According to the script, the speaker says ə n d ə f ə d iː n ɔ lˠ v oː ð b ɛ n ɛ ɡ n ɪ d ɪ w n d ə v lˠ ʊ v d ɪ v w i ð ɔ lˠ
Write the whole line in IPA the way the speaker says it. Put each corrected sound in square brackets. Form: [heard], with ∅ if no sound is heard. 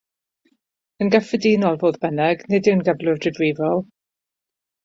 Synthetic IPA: ə n [ɡ] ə f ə d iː n ɔ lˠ v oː ð b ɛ n ɛ ɡ n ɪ d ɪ w n [ɡ] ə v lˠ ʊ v d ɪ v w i [v] ɔ lˠ